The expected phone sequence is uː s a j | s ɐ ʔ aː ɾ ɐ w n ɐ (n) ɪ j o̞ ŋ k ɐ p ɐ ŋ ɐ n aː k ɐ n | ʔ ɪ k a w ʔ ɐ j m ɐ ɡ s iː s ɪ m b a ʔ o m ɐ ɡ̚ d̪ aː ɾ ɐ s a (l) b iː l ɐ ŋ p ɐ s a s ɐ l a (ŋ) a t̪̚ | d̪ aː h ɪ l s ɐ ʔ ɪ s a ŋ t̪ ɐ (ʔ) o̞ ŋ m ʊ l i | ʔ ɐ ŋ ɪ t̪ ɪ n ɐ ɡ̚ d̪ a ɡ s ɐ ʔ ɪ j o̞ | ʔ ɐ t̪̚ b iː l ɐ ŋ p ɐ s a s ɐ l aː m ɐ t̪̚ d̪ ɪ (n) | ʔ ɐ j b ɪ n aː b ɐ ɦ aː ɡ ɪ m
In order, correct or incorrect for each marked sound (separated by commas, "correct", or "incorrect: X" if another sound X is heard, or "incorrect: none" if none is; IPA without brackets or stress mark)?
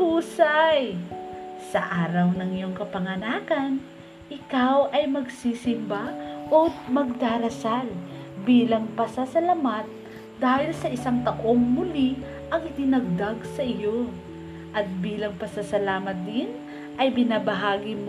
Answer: incorrect: ŋ, correct, incorrect: m, correct, correct